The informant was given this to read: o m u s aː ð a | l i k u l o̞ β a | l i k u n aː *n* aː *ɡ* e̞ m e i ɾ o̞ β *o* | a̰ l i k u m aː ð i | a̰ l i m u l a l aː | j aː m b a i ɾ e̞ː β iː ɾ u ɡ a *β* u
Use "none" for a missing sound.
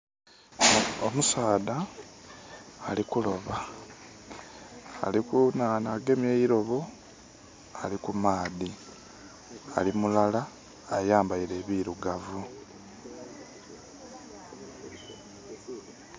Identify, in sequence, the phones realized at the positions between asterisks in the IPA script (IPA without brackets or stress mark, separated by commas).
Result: n, ɡ, o, v